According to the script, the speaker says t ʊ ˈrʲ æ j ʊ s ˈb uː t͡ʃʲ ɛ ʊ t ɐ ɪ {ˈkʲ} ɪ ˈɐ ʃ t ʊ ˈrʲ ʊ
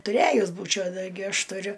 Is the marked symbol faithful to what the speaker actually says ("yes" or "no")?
no